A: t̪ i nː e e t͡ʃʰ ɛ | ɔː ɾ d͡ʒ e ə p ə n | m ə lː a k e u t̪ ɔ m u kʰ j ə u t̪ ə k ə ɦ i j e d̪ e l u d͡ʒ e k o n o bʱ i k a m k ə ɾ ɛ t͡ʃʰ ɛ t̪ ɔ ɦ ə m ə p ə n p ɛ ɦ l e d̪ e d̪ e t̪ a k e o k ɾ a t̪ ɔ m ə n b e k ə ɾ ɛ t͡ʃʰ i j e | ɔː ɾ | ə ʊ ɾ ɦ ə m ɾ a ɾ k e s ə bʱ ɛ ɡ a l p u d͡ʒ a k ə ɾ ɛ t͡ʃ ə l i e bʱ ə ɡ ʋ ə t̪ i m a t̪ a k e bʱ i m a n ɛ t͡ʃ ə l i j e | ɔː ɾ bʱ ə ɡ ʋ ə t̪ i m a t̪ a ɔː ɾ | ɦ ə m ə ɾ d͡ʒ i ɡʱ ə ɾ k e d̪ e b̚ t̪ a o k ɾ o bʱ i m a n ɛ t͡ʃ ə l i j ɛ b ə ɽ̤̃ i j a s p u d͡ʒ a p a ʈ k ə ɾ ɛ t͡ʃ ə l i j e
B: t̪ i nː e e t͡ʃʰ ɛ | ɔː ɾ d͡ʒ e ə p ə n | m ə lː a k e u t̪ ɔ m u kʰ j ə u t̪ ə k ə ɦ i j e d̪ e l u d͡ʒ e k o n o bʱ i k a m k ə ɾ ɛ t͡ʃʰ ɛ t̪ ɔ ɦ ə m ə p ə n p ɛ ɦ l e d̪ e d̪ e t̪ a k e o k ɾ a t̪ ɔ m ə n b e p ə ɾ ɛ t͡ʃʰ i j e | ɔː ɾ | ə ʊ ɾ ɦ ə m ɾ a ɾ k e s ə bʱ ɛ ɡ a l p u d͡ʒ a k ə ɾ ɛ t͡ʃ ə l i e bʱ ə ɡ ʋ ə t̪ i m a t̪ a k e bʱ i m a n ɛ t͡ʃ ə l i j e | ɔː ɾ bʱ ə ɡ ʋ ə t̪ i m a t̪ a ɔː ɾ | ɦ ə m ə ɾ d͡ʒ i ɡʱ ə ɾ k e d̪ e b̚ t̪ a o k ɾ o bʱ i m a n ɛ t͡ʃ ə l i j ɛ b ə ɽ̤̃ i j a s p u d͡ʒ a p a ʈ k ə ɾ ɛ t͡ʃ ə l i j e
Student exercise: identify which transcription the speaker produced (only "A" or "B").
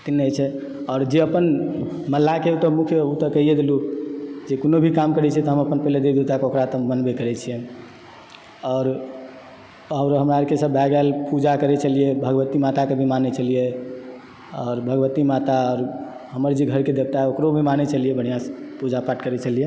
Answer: A